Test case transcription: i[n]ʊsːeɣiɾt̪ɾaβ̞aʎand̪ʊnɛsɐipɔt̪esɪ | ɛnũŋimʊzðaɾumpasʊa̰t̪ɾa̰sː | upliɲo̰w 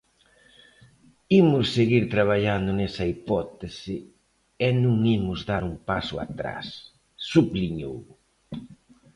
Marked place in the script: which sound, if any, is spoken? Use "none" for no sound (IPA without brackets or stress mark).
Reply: m